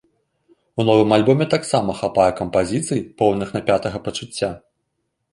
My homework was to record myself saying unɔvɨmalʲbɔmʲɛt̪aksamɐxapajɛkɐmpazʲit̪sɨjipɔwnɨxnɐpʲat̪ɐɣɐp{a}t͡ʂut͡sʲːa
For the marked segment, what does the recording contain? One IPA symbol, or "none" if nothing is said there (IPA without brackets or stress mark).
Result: ɐ